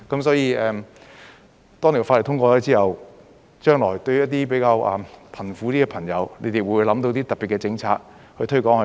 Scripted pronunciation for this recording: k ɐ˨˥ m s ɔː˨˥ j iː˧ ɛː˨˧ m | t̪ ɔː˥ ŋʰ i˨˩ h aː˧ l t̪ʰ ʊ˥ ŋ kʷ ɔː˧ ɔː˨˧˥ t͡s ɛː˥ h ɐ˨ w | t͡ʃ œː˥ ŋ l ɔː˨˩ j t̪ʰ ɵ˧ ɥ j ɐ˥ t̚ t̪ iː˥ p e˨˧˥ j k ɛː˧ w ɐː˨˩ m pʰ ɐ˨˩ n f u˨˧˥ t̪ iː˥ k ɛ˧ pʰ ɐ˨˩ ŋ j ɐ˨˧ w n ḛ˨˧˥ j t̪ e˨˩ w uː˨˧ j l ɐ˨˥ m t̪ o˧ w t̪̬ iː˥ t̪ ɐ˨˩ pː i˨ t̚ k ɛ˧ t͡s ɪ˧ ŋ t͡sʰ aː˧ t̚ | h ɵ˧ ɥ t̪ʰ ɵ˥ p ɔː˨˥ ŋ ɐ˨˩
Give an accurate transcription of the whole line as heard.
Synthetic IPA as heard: k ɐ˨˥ m s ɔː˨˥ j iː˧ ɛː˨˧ m | t̪ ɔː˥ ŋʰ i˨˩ f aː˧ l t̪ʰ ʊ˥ ŋ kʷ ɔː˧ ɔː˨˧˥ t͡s iː˥ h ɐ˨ w | t͡ʃ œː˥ ŋ l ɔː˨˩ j t̪ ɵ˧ ɥ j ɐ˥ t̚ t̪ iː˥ p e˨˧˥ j k aː˧ w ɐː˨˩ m pʰ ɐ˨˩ n f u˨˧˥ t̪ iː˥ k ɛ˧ pʰ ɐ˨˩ ŋ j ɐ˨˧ w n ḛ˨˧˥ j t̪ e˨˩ w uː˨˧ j l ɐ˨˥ m t̪ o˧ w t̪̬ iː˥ t̪ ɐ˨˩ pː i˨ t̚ k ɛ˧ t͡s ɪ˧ ŋ t͡sʰ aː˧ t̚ | h ɵ˧ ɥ t̪ʰ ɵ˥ k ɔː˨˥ ŋ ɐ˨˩